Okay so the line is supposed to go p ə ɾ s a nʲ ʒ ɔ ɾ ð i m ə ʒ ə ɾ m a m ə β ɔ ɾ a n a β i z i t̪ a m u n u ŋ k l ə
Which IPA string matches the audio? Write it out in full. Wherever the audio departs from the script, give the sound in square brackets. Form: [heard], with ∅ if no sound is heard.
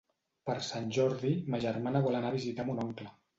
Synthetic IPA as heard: p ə ɾ s a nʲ ʒ ɔ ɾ ð i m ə ʒ ə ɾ m a [n] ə β ɔ [l] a n a β i z i t̪ a m u n [ɔ] ŋ k l ə